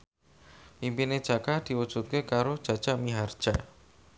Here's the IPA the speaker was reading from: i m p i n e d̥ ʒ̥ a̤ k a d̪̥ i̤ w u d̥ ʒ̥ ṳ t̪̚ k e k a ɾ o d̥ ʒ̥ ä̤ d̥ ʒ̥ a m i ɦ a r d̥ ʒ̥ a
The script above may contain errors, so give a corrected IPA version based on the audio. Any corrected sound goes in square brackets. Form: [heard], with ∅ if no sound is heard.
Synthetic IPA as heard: i m p i n e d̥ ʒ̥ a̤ k a d̪̥ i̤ w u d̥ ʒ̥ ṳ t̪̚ k e k a ɾ o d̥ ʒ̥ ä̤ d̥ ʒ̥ a m i ɦ a r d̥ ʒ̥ a